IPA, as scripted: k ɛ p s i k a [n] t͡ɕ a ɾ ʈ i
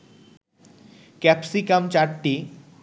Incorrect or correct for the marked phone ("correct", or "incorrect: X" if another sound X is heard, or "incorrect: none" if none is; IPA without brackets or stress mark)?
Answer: incorrect: m